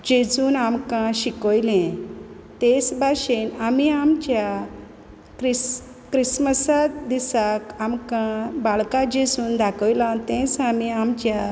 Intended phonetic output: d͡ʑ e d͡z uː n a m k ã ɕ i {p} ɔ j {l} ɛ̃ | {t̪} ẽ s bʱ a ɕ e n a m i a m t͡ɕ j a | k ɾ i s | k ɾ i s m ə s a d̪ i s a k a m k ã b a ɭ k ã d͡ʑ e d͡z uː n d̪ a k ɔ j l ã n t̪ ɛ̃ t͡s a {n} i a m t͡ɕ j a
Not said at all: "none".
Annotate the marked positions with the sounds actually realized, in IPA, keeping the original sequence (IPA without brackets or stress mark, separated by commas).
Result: k, l, t̪, m